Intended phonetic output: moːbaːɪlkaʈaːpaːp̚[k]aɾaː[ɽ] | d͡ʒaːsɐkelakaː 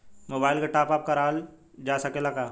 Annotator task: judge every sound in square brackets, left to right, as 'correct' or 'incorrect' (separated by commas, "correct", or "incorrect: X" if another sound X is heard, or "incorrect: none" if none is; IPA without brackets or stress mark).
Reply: correct, incorrect: l